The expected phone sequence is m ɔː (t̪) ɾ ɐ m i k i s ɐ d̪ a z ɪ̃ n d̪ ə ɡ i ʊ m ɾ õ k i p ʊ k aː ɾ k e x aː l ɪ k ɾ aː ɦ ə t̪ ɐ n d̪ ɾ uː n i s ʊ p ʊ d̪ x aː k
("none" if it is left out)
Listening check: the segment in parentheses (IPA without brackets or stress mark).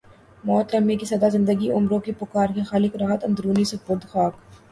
t̪